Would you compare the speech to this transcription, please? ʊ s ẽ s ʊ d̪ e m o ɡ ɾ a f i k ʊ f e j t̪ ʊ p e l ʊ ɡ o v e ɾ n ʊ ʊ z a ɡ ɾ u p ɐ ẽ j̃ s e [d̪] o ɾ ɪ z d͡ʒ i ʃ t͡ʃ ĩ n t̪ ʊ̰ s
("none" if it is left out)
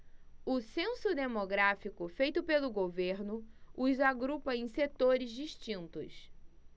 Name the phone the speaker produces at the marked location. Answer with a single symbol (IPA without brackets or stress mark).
t̪